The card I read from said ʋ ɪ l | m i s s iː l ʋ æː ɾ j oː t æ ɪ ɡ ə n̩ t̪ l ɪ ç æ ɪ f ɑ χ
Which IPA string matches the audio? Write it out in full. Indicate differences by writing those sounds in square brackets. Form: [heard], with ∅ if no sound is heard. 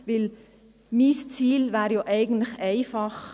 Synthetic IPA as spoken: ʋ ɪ l | m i s [t͡s] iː l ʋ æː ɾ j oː [ʔ] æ ɪ ɡ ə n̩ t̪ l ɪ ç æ ɪ f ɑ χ